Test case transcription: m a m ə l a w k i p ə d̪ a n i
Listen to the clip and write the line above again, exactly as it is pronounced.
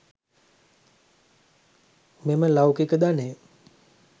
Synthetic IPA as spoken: m e m ə l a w k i k ə d̪ a n e